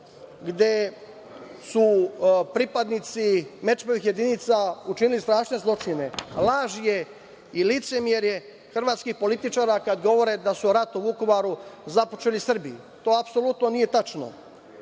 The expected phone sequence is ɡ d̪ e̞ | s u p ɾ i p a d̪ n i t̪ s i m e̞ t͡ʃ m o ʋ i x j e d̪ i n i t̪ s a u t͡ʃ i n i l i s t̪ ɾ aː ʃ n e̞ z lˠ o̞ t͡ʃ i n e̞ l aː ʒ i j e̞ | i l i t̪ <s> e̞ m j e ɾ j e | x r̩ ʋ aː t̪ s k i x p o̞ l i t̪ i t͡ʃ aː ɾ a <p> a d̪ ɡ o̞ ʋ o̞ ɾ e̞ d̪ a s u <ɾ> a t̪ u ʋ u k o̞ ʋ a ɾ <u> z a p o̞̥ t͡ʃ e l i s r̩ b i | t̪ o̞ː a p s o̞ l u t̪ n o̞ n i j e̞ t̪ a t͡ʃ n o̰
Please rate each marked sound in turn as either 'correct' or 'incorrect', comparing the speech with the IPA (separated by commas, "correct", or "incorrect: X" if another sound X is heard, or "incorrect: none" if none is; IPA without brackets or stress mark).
correct, incorrect: k, correct, correct